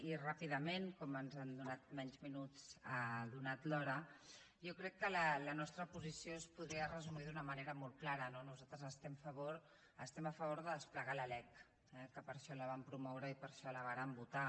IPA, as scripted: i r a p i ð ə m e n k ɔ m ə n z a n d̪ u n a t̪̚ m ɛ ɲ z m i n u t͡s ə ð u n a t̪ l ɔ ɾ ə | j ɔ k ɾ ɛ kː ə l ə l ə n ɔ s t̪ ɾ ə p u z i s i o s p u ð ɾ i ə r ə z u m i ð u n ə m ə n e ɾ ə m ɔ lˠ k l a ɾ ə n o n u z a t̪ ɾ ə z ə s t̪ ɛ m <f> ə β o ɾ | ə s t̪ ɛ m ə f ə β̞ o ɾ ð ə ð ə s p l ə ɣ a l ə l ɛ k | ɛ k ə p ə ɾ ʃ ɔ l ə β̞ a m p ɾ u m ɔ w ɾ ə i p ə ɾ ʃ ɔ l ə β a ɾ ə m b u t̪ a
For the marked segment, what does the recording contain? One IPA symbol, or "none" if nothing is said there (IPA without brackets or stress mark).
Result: f